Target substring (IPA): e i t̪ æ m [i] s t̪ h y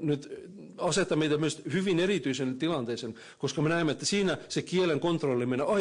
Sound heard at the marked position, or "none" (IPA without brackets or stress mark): y